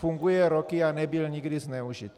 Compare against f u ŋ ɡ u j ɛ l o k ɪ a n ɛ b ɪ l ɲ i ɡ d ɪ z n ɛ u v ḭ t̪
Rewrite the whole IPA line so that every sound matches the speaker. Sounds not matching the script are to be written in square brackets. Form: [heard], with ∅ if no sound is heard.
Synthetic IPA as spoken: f u ŋ ɡ u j ɛ [ɾ] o k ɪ a n ɛ b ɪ l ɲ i ɡ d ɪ z n ɛ u [ʒ] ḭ t̪